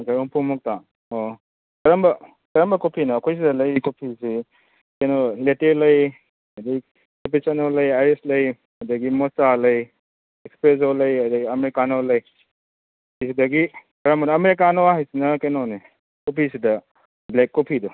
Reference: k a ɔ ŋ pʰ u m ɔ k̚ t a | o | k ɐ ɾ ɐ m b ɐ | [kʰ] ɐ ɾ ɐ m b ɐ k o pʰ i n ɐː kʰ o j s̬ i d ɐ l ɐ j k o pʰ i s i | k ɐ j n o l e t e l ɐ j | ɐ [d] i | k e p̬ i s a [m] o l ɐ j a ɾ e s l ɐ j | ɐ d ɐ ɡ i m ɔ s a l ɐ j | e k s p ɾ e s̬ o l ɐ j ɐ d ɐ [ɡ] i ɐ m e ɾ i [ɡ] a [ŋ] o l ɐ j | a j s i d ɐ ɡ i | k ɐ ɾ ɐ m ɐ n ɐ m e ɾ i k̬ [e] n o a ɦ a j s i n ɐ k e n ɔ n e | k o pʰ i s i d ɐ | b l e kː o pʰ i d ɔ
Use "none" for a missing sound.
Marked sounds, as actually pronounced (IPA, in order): k, d, n, ɡ, k, n, a

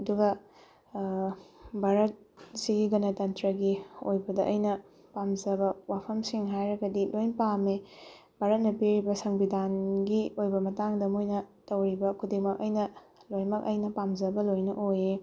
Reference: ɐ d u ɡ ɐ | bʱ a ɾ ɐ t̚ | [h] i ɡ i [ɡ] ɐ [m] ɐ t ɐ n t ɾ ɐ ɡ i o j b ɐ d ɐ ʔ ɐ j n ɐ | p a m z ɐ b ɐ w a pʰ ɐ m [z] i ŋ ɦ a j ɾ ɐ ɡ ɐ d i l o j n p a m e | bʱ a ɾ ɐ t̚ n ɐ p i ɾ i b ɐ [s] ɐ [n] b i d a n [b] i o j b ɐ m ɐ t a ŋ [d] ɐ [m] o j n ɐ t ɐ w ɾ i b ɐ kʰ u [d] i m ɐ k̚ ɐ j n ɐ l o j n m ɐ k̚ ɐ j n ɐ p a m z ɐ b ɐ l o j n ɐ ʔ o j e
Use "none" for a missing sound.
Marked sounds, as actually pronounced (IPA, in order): s, ɡ, n, s, s, ŋ, ɡ, d, m, d

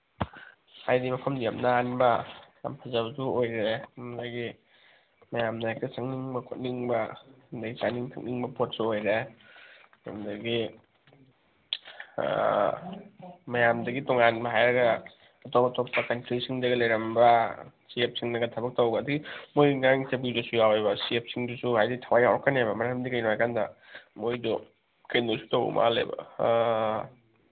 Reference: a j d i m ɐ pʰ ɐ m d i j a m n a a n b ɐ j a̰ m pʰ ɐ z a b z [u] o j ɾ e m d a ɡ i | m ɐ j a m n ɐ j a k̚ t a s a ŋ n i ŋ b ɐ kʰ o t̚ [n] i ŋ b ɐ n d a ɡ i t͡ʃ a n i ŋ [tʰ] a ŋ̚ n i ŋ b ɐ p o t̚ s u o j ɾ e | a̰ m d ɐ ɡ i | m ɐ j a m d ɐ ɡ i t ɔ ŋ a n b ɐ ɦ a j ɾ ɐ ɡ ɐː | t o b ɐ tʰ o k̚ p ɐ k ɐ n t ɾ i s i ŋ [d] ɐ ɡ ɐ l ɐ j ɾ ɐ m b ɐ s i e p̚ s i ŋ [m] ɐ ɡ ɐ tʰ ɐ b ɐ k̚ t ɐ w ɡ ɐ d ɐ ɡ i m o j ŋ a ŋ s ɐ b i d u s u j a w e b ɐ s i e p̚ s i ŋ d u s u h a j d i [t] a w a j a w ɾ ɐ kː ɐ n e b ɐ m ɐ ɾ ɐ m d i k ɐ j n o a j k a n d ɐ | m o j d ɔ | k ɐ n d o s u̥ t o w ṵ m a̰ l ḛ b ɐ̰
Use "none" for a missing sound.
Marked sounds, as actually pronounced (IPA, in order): u, n, tʰ, d, n, tʰ

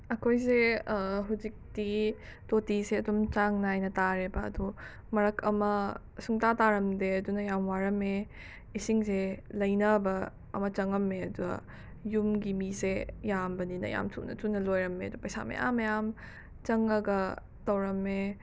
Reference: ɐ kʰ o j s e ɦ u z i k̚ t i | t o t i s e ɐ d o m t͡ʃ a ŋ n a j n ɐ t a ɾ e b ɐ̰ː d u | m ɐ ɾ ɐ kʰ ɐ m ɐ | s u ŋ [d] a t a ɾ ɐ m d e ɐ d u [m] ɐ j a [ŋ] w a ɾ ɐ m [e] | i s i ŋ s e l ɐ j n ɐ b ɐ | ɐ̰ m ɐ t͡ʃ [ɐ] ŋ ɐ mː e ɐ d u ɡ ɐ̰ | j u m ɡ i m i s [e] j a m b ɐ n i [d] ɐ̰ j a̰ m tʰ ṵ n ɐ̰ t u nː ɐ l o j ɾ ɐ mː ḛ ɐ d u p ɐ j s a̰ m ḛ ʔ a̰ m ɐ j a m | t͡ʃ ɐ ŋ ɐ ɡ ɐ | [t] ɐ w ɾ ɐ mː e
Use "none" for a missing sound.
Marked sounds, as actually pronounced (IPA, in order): t, n, m, e, ɐ, e, n, t

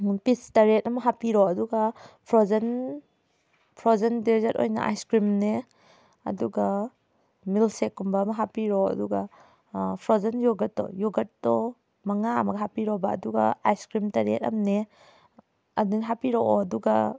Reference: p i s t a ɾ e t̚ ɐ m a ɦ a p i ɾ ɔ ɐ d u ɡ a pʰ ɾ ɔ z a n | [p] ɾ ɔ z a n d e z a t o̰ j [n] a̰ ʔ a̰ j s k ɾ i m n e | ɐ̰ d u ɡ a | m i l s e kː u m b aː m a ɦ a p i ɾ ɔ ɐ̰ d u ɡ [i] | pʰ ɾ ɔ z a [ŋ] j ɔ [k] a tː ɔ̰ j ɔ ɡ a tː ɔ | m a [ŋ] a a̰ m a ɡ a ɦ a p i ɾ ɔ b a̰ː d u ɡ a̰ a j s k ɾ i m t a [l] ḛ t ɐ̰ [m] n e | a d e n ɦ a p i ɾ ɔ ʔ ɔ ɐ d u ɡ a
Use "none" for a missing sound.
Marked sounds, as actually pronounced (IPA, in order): pʰ, n, a, n, ɡ, ŋ, ɾ, m

